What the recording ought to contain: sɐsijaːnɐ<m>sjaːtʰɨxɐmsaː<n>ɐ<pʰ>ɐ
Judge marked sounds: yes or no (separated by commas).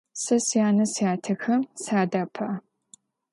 no, no, yes